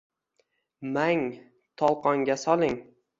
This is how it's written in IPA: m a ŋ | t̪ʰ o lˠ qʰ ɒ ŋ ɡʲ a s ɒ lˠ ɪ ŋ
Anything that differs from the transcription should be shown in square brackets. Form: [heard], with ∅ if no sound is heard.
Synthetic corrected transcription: m a ŋ | t̪ʰ [ɒ] lˠ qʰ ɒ ŋ ɡʲ a s ɒ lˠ ɪ ŋ